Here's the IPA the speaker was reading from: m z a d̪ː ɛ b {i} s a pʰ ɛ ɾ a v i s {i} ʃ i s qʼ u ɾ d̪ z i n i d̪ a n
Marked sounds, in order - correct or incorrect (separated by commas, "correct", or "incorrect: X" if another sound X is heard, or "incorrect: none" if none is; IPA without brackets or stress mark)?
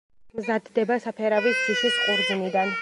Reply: incorrect: a, correct